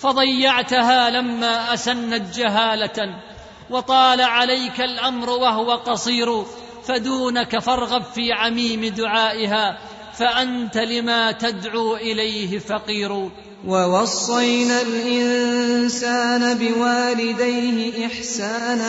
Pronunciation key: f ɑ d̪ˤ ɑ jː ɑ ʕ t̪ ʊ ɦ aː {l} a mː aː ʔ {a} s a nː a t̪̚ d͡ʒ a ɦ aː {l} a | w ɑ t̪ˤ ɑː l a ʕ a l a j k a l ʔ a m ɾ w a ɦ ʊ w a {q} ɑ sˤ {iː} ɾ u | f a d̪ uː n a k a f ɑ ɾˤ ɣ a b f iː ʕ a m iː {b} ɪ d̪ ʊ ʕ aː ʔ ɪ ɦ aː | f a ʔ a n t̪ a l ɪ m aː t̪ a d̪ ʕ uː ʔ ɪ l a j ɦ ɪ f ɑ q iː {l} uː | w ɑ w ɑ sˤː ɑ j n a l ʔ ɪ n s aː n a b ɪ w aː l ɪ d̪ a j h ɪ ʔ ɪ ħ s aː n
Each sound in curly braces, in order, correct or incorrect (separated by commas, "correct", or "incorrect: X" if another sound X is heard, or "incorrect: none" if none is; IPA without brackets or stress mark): correct, correct, correct, correct, correct, incorrect: m, incorrect: ɾ